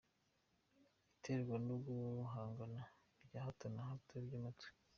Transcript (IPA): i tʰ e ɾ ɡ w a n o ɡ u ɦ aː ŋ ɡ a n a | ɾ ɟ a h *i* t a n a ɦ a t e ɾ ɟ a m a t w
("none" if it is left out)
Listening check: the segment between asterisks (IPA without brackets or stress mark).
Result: a